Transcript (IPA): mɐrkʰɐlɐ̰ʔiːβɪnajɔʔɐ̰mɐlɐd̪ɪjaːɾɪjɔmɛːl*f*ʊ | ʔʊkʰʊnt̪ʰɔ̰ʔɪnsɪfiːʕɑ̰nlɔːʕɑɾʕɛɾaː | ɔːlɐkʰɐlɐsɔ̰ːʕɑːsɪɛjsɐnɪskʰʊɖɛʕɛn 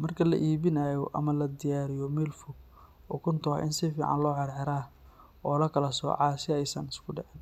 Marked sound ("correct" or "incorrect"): correct